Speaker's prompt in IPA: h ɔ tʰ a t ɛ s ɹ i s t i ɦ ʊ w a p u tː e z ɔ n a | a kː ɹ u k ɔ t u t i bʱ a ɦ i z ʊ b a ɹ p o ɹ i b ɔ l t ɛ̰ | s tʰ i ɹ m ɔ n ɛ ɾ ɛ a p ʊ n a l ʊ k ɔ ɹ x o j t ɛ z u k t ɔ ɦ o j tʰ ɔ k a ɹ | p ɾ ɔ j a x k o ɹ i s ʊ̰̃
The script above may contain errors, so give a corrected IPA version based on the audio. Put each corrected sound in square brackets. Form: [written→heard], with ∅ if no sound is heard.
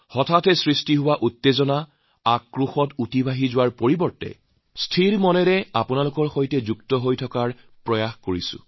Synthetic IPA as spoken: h ɔ tʰ a t ɛ s ɹ i s t i ɦ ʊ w a [p→ʔ] u tː e z ɔ n a | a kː ɹ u [k→x] ɔ t u t i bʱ a ɦ i z ʊ [b→w] a ɹ p o ɹ i b ɔ [l→ɹ] t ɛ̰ | s tʰ i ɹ m ɔ n ɛ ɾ ɛ a p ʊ n a l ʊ k ɔ ɹ x o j t ɛ z u k t ɔ ɦ o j tʰ ɔ k a ɹ | p [ɾ→ɹ] ɔ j a x k o ɹ i s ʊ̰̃